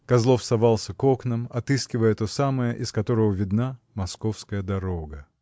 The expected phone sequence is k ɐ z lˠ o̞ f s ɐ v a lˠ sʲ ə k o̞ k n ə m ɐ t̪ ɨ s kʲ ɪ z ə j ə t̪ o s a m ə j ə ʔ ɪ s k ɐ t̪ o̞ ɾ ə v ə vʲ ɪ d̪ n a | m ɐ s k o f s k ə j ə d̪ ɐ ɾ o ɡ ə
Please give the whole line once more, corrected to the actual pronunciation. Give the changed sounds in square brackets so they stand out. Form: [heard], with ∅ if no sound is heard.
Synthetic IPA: k ɐ z lˠ o̞ f s ɐ v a lˠ sʲ ə k o̞ k n ə m ɐ t̪ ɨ s kʲ ɪ [v] ə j ə t̪ o s a m ə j ə ʔ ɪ s k ɐ t̪ o̞ ɾ ə v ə vʲ ɪ d̪ n a | m ɐ s k o f s k ə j ə d̪ ɐ ɾ o ɡ ə